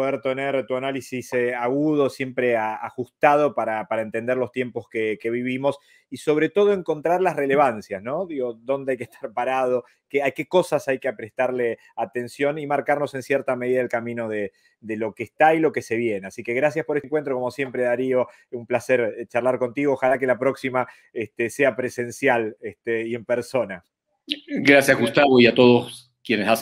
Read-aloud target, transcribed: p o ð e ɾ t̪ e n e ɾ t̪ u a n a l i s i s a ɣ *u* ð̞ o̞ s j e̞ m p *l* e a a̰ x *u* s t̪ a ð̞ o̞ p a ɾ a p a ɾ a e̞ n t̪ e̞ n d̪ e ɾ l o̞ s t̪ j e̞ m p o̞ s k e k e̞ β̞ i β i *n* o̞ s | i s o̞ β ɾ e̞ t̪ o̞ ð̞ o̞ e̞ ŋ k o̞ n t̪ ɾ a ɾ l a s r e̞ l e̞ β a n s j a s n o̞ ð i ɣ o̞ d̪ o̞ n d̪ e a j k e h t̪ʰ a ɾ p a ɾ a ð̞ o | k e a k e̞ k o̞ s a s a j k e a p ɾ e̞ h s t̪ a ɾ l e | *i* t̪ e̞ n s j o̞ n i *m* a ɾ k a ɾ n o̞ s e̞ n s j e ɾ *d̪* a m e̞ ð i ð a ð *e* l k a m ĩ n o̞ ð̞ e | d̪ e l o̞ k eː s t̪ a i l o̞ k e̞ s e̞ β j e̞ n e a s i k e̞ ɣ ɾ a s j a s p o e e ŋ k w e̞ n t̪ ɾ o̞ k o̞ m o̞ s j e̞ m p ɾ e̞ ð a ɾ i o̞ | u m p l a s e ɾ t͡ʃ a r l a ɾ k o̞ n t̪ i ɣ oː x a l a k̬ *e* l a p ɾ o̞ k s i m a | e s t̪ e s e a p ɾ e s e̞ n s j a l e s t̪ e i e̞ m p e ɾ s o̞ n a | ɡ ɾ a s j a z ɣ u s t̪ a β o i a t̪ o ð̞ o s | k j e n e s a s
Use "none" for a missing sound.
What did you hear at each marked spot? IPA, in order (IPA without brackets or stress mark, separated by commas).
u, ɾ, u, m, a, m, t̪, e, e